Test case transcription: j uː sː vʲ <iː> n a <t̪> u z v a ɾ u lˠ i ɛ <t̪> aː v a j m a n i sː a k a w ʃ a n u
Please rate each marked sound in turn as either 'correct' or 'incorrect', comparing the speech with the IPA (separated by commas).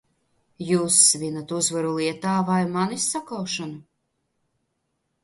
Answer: incorrect, correct, correct